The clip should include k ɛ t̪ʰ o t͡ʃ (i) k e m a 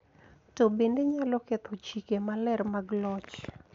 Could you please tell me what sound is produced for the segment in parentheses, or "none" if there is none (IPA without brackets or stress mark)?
i